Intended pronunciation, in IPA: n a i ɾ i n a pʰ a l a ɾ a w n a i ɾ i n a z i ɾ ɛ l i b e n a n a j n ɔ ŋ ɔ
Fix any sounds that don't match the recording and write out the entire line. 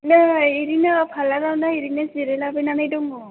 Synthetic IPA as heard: n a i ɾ i n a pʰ a l a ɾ a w n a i ɾ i n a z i ɾ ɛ l a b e n a n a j d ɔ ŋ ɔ